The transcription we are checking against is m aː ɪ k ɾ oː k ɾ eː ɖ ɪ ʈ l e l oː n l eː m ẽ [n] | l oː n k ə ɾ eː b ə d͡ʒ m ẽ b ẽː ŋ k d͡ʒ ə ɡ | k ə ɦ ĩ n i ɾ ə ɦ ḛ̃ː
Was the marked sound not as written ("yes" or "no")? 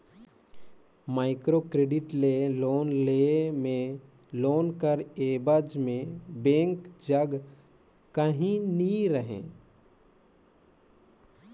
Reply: yes